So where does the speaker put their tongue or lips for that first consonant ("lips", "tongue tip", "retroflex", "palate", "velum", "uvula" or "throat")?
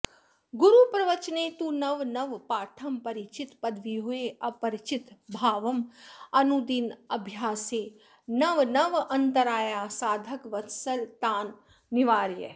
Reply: velum